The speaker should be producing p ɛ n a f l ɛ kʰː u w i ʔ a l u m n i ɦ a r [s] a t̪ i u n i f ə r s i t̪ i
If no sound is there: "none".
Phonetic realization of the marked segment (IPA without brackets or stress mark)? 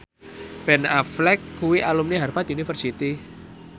f